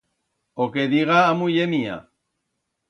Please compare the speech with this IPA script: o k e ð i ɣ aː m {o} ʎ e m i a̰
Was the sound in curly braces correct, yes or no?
no